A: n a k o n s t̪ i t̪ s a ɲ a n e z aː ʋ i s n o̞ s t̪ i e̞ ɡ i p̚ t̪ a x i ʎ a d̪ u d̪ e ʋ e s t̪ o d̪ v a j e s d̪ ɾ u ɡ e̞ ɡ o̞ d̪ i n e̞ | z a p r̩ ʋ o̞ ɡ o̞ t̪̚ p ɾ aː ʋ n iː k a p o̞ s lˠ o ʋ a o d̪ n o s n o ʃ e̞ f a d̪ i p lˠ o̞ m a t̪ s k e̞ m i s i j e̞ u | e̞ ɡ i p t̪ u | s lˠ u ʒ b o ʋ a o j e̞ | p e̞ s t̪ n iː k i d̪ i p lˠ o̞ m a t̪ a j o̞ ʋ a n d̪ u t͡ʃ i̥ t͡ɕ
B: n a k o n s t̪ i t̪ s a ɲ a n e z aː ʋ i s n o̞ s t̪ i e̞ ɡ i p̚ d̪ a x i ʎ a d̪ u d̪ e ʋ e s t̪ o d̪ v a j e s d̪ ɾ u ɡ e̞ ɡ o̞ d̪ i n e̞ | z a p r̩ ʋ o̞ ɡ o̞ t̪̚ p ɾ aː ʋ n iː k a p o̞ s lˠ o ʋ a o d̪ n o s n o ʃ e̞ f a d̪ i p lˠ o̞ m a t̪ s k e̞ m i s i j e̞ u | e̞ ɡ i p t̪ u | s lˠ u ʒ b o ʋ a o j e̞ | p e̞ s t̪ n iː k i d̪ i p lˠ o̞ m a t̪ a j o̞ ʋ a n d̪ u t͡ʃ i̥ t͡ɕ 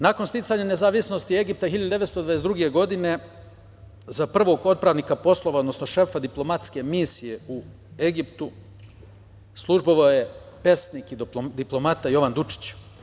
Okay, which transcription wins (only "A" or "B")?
A